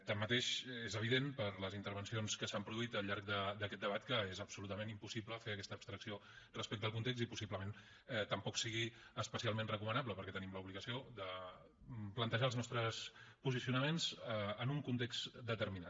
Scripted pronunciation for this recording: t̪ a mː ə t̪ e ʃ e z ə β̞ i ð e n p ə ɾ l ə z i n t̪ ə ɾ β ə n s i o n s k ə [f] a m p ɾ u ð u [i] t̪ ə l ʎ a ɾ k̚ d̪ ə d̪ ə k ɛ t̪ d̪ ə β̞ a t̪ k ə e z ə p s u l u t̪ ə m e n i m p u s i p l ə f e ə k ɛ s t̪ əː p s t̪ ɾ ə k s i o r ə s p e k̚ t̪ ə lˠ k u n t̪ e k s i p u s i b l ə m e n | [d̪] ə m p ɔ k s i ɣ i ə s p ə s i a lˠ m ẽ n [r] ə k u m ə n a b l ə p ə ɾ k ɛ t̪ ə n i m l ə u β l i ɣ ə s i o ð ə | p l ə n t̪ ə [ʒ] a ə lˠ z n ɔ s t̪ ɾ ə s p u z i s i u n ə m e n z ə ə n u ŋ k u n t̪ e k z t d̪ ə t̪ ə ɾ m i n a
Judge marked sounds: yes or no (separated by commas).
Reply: no, yes, no, yes, yes